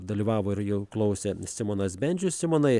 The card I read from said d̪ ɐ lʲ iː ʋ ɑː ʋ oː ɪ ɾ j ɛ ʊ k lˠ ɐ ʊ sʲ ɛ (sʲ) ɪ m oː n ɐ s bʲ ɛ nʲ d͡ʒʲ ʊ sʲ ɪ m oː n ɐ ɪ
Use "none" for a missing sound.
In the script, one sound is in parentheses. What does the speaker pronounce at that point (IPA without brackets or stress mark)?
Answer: sʲ